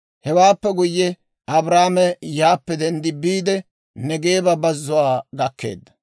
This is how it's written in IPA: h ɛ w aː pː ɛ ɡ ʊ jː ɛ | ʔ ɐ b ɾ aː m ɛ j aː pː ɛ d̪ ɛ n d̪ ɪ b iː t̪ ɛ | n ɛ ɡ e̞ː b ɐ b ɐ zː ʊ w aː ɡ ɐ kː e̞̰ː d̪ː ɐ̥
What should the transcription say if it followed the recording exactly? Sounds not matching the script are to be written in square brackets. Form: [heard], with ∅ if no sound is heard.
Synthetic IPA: h ɛ w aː pː ɛ ɡ ʊ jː ɛ | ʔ ɐ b ɾ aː m ɛ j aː pː ɛ d̪ ɛ n d̪ ɪ b iː [d̪] ɛ | n ɛ ɡ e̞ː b ɐ b ɐ zː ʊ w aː ɡ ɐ kː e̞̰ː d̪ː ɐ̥